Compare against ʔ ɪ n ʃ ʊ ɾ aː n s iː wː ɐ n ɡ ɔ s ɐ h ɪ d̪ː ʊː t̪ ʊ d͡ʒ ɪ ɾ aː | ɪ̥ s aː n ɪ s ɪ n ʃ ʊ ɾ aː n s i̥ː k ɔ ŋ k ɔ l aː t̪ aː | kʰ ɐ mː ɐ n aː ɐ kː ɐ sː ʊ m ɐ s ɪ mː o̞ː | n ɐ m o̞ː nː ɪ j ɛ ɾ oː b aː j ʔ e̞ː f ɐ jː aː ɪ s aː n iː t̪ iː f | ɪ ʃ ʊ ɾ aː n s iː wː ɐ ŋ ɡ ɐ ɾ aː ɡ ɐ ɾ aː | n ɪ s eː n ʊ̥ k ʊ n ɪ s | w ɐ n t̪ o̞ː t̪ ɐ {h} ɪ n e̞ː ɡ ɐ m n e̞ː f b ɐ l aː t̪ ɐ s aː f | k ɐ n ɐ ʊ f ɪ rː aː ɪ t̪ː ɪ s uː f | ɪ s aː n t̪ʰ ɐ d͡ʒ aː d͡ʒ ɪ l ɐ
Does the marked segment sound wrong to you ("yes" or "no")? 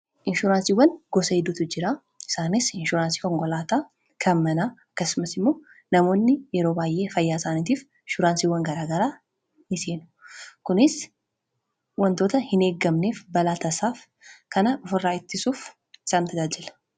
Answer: no